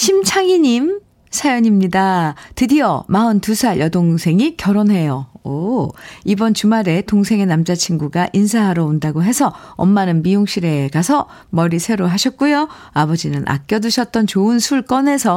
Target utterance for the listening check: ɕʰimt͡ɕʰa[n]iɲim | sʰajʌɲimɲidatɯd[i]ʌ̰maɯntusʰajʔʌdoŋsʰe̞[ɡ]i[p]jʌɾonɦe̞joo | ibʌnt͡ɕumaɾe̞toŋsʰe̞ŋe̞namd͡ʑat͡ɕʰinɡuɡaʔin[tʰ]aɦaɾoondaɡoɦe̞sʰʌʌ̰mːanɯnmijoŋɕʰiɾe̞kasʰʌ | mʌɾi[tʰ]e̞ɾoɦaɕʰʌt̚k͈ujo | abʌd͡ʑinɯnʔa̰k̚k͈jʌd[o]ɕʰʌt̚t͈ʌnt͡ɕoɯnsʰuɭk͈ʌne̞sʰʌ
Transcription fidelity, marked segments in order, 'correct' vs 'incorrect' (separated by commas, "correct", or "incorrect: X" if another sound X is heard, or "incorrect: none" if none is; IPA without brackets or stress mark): incorrect: ŋ, correct, incorrect: ŋ, incorrect: k, incorrect: sʰ, incorrect: sʰ, incorrect: u